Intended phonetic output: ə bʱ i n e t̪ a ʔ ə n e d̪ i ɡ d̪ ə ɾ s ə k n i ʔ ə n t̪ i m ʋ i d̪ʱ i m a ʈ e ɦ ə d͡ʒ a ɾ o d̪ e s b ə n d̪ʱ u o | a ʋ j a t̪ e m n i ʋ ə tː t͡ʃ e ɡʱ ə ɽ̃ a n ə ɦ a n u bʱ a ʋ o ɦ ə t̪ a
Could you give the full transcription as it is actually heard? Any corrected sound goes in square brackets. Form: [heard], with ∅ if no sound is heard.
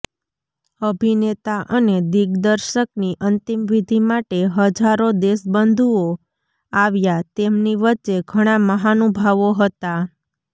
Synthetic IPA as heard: ə bʱ i n e t̪ a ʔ ə n e d̪ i ɡ d̪ ə ɾ [ʃ] ə k n i ʔ ə n t̪ i m ʋ i d̪ʱ i m a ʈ e ɦ ə d͡ʒ a ɾ o d̪ e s b ə n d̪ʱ u o | a ʋ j a t̪ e m n i ʋ ə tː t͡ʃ e ɡʱ ə ɽ̃ a [m] ə ɦ a n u bʱ a ʋ o ɦ ə t̪ a